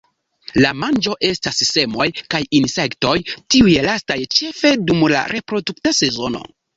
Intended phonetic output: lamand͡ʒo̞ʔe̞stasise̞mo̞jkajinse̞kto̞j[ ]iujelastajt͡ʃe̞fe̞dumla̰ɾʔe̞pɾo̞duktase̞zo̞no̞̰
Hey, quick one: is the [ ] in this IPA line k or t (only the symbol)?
t